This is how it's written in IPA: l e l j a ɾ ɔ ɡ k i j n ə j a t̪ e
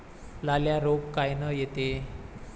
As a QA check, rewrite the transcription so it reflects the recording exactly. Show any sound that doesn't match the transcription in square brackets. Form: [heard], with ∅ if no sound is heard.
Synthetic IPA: l [a] l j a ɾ [o] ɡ k [a] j n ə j [e] t̪ e